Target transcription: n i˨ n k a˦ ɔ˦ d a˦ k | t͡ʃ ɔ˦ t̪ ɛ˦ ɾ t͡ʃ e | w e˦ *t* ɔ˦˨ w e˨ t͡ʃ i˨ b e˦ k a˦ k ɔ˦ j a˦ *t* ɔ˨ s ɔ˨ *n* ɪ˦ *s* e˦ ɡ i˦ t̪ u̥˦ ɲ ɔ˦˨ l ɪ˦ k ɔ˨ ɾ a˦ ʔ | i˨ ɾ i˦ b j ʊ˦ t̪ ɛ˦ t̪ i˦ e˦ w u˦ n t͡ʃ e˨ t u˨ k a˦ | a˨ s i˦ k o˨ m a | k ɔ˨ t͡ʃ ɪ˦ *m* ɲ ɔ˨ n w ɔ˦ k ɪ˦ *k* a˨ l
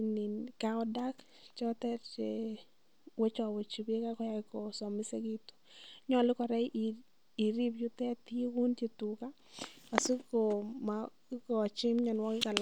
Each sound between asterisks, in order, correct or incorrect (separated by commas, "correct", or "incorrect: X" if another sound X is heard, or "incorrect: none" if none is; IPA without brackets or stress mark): incorrect: t͡ʃ, incorrect: k, incorrect: m, correct, correct, correct